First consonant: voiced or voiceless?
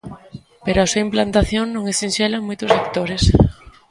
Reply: voiceless